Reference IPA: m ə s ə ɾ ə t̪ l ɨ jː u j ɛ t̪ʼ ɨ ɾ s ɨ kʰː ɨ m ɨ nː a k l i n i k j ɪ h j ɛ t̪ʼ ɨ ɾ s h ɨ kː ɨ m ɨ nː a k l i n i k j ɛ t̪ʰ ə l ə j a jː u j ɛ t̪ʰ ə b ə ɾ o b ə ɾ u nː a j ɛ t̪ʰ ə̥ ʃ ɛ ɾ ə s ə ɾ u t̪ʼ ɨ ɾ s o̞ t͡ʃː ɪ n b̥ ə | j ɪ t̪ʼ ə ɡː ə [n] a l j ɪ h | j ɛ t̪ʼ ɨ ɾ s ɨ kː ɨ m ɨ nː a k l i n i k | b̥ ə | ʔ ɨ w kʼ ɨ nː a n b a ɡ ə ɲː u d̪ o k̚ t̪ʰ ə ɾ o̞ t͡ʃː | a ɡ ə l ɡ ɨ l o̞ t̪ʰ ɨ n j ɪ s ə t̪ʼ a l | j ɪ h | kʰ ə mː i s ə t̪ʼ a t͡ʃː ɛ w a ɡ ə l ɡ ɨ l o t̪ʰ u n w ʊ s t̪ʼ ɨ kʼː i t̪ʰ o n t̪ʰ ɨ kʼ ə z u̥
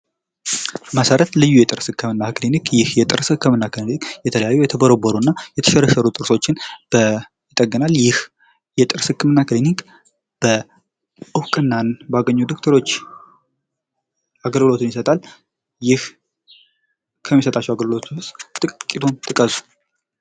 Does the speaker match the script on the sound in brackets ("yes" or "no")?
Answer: yes